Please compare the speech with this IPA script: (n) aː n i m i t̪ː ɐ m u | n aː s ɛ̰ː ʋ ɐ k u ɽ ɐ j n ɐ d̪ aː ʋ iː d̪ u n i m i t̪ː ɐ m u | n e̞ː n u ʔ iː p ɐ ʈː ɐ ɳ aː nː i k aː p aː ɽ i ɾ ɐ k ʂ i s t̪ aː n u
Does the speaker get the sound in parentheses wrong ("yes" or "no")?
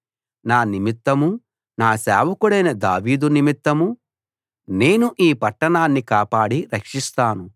no